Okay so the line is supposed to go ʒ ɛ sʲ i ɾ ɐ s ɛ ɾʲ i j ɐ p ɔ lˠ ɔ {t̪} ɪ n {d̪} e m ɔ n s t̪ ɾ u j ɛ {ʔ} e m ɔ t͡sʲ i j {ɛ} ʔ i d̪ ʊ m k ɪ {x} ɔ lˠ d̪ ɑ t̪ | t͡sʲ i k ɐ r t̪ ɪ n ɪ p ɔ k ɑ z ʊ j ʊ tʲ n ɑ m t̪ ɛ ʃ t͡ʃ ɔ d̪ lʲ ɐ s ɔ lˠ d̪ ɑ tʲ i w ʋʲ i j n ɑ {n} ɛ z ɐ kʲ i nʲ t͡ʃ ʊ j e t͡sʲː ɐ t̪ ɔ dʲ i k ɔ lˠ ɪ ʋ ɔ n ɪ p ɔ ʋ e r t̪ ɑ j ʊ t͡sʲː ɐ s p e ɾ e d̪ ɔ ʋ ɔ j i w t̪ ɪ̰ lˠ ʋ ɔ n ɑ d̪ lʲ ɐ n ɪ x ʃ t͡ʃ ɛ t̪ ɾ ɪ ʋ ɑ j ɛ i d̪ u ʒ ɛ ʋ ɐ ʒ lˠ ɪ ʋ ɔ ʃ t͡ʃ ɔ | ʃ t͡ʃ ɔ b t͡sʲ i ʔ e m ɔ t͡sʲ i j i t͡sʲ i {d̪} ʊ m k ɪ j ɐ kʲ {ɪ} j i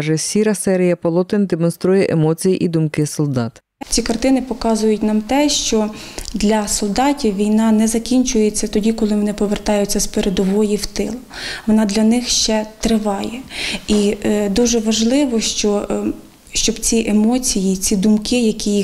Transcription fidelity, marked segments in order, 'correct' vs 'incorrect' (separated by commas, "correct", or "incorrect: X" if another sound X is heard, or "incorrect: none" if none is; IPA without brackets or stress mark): correct, correct, correct, incorrect: i, incorrect: s, correct, correct, incorrect: i